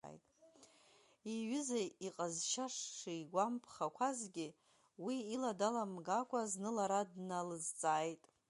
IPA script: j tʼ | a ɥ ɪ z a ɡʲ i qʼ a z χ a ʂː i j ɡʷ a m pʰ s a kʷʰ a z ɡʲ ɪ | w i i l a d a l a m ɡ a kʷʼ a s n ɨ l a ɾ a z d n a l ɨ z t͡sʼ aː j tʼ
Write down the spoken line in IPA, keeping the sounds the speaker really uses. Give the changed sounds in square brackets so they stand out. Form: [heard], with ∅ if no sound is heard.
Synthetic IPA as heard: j tʼ | [i] ɥ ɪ z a [∅] i qʼ a z [ʃ] a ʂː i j ɡʷ a m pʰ [χ] a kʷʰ a z ɡʲ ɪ | w i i l a d a l a m ɡ a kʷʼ a [z] n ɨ l a ɾ a [∅] d n a l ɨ z t͡sʼ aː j tʼ